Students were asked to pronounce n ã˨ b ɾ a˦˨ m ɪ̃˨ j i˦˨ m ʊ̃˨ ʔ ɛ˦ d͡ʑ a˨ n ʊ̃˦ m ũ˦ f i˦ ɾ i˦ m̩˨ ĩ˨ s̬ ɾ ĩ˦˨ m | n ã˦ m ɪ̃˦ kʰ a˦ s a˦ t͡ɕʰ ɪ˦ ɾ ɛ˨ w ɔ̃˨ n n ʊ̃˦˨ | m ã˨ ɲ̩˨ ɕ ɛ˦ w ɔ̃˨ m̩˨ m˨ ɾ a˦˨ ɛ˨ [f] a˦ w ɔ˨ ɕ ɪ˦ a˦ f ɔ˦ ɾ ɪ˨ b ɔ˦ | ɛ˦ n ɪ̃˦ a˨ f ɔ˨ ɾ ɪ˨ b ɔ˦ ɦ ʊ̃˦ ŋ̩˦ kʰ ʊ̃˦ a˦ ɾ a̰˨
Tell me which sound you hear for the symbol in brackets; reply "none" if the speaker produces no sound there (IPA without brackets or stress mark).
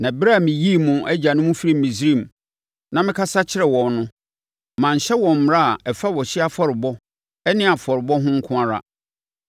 f